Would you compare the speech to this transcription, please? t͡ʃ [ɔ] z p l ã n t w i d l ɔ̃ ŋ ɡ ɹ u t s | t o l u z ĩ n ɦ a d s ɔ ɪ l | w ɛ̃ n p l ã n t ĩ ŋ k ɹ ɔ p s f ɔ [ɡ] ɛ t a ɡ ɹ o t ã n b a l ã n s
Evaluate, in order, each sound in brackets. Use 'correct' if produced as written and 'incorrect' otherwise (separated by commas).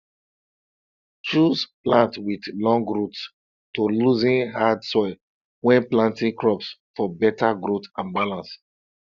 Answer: incorrect, incorrect